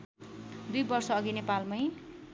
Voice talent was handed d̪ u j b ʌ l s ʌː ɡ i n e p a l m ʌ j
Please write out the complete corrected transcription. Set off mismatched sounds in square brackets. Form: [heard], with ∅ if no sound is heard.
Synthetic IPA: d̪ u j b ʌ [r] s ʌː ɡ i n e p a l m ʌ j

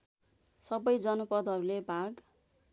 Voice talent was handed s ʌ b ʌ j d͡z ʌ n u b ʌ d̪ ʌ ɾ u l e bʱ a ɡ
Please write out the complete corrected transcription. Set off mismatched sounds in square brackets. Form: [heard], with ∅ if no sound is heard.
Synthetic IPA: s ʌ b ʌ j d͡z ʌ n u [p] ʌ d̪ ʌ ɾ u l e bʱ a ɡ

